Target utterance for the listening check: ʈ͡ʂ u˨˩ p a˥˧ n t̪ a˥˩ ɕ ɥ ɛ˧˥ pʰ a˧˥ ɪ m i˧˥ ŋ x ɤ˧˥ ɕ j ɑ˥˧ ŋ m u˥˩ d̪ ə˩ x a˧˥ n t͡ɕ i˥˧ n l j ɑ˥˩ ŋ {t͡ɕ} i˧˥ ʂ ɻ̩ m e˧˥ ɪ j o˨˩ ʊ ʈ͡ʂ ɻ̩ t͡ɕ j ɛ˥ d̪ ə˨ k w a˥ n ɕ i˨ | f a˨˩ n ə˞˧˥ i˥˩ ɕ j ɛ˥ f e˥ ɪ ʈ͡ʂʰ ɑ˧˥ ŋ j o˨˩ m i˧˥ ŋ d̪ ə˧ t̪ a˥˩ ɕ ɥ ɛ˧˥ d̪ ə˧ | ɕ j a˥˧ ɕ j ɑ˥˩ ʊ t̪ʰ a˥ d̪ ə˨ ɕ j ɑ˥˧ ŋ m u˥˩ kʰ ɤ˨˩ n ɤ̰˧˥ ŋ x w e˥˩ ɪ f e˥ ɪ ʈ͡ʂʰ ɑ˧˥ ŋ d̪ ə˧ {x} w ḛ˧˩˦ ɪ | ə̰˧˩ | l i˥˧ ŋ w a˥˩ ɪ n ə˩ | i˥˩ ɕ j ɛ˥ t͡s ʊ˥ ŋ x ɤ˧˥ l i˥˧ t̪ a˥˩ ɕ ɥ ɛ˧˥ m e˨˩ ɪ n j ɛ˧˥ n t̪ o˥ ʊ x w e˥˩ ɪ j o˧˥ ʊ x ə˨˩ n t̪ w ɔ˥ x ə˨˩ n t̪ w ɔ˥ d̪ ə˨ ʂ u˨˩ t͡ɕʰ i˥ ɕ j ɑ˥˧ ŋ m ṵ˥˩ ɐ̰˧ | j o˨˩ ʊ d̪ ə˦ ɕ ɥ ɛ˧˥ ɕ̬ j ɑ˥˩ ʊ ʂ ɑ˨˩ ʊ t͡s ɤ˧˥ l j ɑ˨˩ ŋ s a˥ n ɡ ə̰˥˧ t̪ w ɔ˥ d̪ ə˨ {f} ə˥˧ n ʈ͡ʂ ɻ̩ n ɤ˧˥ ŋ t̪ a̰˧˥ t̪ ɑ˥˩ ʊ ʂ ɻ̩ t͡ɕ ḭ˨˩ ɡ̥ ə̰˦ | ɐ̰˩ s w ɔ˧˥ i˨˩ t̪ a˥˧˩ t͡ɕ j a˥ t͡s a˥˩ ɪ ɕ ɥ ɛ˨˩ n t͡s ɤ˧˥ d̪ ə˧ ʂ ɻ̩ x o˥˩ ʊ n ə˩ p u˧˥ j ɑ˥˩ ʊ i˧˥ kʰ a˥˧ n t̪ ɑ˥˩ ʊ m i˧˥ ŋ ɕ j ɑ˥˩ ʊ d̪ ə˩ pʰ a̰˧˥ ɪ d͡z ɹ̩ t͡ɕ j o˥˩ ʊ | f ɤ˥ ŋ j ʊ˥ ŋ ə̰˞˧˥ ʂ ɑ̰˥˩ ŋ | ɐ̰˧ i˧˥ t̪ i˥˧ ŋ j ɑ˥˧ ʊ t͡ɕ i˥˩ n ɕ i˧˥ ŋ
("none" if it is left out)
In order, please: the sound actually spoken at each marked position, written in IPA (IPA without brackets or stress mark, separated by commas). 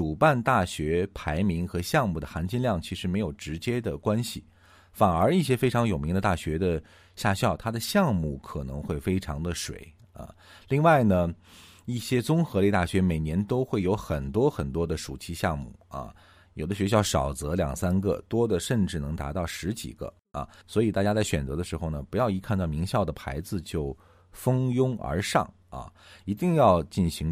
t͡ɕʰ, ʂ, ʂ